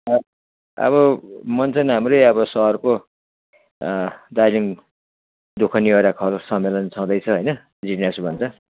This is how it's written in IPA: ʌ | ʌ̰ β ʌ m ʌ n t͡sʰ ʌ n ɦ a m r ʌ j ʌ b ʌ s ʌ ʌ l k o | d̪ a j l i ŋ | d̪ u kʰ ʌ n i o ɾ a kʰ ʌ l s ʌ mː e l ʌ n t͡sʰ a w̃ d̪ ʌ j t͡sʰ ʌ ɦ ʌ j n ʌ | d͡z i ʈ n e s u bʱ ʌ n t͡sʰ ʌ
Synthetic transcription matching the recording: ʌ | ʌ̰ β ʌ m ʌ n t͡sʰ ʌ n ɦ a m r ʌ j ʌ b ʌ s ʌ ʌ r k o | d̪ a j l i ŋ | d̪ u kʰ ʌ n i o ɾ a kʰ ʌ l s ʌ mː e l ʌ n t͡sʰ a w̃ d̪ ʌ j t͡sʰ ʌ ɦ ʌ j n ʌ | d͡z i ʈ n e s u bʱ ʌ n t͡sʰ ʌ